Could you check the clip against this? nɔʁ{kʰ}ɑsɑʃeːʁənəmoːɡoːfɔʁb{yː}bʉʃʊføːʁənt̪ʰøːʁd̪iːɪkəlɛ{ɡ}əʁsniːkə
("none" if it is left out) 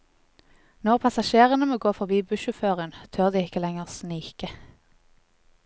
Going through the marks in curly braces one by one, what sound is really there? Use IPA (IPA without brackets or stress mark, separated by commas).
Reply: pʰ, iː, ŋ